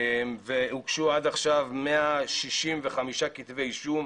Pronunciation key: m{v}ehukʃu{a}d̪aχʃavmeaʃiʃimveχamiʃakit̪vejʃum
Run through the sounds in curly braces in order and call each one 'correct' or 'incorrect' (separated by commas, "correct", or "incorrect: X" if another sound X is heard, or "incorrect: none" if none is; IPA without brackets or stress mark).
correct, correct